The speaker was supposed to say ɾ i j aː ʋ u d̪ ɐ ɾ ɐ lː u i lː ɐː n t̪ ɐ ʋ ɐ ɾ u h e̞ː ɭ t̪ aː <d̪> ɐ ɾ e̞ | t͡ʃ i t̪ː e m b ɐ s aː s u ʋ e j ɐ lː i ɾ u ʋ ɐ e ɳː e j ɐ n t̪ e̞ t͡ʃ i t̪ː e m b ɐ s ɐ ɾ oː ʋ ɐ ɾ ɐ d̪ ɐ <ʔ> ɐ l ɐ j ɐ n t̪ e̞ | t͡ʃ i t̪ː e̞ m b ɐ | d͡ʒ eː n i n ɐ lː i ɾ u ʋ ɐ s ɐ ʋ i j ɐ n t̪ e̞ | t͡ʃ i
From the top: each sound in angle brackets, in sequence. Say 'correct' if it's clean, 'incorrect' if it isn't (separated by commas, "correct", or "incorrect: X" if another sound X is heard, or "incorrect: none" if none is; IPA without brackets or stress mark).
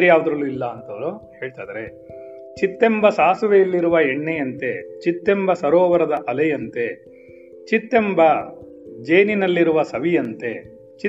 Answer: correct, correct